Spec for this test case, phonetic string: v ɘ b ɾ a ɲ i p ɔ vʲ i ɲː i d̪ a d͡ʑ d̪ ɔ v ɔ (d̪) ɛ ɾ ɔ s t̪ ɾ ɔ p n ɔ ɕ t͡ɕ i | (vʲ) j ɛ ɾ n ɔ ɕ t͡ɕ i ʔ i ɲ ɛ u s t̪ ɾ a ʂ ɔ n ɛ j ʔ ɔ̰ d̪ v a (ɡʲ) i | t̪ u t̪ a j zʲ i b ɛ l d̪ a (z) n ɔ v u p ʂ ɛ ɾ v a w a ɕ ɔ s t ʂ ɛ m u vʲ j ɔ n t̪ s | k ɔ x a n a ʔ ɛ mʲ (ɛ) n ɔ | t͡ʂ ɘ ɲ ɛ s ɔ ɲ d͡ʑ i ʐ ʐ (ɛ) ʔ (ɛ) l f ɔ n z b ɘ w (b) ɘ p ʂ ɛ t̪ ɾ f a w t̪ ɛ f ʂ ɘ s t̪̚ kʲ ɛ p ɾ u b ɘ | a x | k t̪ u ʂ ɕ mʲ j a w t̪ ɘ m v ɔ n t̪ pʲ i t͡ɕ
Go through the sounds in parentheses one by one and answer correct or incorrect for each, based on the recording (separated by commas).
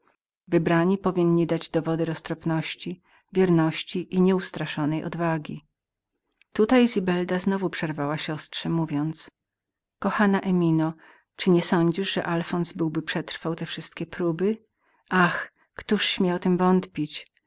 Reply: correct, correct, correct, correct, incorrect, correct, incorrect, correct